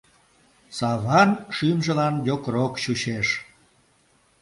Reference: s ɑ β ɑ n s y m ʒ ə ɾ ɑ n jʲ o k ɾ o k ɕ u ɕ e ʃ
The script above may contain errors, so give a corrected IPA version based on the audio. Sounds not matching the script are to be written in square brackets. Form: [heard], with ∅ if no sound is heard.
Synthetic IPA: s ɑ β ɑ n [ʃ] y m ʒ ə [l] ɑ n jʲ o k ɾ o k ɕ u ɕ e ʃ